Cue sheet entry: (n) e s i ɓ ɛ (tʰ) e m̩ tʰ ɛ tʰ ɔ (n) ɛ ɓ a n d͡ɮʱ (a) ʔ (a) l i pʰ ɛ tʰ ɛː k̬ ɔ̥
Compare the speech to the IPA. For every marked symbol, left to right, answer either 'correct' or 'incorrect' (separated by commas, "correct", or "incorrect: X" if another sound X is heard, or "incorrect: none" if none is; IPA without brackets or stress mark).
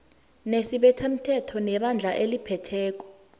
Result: correct, correct, correct, correct, incorrect: e